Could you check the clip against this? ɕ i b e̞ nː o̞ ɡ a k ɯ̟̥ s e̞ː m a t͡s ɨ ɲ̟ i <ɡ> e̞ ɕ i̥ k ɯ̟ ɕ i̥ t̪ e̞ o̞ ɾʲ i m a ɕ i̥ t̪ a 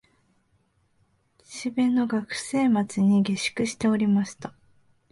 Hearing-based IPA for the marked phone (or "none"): ɡ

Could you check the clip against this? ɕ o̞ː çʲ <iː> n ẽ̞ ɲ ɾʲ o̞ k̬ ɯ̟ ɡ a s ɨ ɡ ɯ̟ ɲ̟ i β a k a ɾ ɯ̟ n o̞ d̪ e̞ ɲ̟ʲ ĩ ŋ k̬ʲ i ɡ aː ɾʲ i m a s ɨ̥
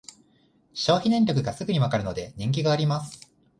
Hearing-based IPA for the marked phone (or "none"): i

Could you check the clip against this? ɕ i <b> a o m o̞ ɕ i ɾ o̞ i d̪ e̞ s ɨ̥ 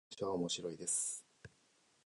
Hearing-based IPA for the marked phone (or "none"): β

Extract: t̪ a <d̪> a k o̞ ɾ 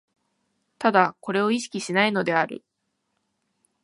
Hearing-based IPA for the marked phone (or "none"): d̪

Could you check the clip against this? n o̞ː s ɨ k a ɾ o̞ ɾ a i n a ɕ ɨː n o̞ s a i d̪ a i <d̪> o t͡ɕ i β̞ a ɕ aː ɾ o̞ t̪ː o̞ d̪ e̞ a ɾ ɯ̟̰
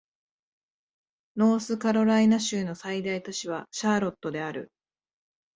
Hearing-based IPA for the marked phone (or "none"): t̪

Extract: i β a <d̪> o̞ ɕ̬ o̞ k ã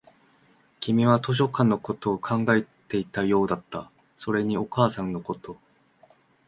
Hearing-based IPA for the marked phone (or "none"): t̪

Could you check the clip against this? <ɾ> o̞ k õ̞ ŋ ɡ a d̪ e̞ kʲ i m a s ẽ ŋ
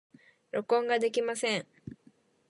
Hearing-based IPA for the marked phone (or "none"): ɾ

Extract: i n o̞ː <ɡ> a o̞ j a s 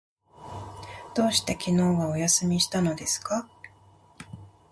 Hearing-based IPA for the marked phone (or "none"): ɡ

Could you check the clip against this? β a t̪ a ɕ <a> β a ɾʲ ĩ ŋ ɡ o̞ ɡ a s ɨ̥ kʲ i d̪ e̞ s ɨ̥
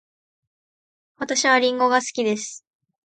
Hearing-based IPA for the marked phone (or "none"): i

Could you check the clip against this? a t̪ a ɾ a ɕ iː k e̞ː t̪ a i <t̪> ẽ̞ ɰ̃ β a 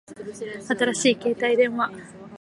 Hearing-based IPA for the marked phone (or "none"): d̪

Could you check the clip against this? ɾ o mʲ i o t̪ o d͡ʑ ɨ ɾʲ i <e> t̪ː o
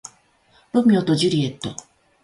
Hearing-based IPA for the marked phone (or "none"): e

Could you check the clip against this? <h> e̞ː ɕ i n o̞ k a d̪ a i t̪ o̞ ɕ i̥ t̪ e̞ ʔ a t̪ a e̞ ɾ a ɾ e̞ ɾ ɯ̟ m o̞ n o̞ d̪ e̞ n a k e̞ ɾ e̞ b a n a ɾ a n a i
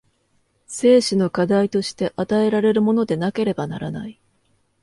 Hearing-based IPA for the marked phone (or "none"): s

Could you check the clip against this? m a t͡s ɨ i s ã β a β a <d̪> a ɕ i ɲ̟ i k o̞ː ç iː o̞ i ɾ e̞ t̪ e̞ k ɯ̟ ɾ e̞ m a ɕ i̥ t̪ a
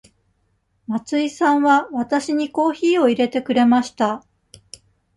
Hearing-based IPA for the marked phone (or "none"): t̪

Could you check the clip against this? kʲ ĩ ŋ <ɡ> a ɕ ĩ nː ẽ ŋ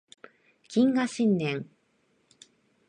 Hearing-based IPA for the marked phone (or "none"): ɡ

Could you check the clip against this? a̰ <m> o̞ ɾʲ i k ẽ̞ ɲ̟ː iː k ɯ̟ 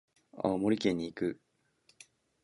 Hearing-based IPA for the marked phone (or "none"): m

